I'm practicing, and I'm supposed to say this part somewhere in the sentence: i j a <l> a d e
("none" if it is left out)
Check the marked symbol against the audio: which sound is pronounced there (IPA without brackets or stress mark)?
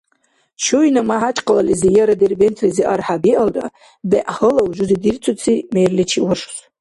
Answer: ɾ